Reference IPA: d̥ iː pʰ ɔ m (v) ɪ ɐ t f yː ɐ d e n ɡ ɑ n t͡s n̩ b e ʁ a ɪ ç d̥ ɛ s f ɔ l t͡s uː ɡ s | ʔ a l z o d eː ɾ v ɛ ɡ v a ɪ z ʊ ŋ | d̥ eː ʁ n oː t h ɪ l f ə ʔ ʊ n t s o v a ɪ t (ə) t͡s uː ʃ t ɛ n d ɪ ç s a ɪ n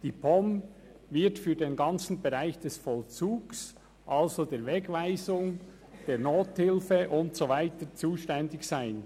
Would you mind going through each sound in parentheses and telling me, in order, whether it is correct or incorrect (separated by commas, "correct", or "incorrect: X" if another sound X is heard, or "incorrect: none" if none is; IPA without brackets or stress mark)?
correct, correct